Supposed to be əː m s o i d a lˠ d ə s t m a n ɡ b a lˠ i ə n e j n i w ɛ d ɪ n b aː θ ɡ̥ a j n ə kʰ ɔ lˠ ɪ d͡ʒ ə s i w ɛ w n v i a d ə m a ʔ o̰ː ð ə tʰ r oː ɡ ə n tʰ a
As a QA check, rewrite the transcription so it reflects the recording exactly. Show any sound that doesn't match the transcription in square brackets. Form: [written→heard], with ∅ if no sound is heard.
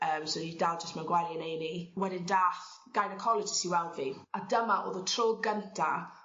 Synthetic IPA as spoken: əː m s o i d a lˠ [d→d͡ʒ] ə s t m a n ɡ [b→w] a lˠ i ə n e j n i w ɛ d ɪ n [b→d] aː θ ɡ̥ a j n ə kʰ ɔ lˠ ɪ d͡ʒ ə s i w ɛ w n v i a d ə m a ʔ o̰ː ð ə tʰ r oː ɡ ə n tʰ a